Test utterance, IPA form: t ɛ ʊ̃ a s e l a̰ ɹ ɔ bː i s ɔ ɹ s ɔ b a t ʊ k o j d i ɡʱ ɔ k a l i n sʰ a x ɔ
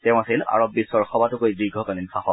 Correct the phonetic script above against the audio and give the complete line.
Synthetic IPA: t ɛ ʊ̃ a s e l a̰ ɹ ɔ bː i s ɔ ɹ x ɔ b a t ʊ k o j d i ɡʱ ɔ k a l i n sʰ a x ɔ